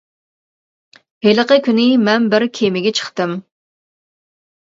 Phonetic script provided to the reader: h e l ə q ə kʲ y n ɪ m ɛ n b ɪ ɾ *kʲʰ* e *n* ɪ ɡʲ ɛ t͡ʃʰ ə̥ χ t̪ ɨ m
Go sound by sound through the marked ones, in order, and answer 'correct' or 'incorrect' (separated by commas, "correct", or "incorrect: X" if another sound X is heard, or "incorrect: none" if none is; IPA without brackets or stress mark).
correct, incorrect: m